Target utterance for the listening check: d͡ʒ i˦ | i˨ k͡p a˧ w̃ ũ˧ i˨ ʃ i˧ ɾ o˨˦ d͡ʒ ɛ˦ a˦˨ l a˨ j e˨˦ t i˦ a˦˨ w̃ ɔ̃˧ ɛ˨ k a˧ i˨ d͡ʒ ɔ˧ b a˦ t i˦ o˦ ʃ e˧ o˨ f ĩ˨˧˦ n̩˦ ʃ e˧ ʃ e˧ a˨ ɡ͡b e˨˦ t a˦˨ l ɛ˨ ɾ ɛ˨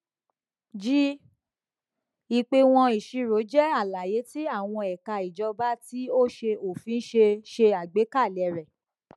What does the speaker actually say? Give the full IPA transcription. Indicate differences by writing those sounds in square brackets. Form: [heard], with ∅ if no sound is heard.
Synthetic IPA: d͡ʒ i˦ | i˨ k͡p [e˧] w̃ [ɔ̃˧] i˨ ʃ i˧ ɾ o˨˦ d͡ʒ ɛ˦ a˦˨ l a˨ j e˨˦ t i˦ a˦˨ w̃ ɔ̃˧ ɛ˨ k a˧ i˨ d͡ʒ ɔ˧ b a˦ t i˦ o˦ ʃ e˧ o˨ f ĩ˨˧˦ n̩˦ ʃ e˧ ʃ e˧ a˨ ɡ͡b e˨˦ [k] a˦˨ l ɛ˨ ɾ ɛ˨